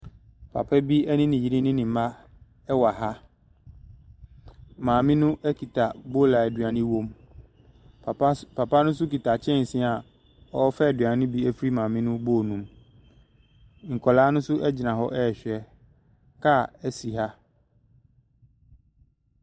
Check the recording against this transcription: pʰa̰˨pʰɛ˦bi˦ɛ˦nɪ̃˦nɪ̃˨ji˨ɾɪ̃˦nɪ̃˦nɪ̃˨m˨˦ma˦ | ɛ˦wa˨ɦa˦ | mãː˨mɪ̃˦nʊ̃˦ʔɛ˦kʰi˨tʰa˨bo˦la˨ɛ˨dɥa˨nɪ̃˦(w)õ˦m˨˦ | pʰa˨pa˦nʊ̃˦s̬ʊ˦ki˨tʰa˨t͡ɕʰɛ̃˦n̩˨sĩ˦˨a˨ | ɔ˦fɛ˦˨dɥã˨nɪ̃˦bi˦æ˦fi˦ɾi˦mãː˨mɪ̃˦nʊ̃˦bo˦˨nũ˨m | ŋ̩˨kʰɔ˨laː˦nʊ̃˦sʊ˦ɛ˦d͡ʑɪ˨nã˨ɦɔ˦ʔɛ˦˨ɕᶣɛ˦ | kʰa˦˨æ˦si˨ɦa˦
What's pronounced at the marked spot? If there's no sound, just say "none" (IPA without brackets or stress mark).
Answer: w